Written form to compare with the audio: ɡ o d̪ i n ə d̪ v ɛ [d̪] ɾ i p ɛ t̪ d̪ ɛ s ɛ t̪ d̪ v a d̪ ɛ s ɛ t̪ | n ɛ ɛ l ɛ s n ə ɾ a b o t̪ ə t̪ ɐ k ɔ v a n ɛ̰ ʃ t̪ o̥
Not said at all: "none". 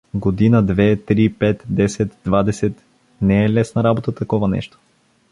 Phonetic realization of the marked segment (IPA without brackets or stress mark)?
t̪